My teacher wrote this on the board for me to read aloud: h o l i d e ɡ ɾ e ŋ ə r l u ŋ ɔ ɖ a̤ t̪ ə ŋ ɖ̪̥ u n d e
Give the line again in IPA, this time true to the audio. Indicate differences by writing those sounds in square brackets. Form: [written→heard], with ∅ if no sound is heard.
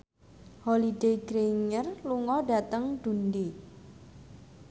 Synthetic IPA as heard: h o l i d e ɡ ɾ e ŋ ə r l u ŋ ɔ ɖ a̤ t̪ ə ŋ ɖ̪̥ u n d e